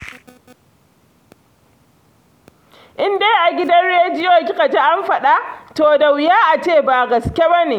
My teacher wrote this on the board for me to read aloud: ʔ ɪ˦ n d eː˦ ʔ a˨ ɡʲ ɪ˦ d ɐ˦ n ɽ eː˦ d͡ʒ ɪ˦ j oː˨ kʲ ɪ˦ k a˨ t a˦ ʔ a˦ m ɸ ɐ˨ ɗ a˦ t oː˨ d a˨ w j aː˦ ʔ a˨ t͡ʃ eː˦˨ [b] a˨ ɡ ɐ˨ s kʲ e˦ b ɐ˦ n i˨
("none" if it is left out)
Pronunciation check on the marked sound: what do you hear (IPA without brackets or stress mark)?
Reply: b